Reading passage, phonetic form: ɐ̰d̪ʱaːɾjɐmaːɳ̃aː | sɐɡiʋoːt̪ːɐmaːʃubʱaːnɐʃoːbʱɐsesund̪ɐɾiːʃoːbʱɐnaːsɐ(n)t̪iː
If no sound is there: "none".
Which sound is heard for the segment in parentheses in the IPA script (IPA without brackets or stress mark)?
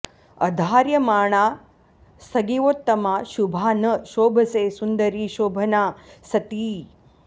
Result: none